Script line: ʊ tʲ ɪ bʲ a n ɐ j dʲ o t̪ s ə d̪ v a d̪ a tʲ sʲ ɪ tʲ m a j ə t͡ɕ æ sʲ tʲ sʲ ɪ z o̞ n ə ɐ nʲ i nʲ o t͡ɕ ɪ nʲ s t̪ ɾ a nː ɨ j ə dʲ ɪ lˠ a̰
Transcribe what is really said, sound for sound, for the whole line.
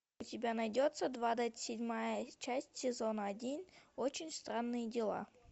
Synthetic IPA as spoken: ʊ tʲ ɪ bʲ a n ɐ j dʲ o t̪ s ə d̪ v a d̪ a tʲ sʲ ɪ dʲ m a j ə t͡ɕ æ sʲ tʲ sʲ ɪ z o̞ n ə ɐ dʲ i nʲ o t͡ɕ ɪ nʲ s t̪ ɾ a nː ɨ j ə dʲ ɪ lˠ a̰